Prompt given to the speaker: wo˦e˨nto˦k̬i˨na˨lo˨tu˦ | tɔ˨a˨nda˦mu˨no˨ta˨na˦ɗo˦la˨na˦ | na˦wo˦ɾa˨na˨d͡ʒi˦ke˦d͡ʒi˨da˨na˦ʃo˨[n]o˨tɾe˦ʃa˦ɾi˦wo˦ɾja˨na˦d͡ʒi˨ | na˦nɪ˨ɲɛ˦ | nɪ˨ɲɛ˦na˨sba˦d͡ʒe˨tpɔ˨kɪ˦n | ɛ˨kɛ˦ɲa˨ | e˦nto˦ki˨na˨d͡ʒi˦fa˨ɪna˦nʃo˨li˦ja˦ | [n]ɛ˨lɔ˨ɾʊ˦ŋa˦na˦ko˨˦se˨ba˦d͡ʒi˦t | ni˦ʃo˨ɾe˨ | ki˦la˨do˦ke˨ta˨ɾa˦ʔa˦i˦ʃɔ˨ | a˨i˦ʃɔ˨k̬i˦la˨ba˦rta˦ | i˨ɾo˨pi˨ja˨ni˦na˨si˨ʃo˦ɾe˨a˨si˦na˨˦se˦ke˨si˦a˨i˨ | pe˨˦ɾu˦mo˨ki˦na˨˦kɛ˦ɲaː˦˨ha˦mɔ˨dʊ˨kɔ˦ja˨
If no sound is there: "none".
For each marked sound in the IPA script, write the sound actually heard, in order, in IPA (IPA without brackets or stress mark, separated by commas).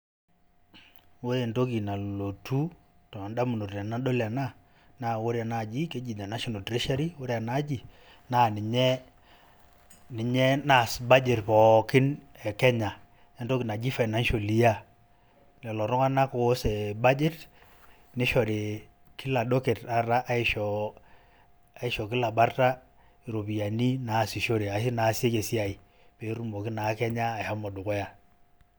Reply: n, n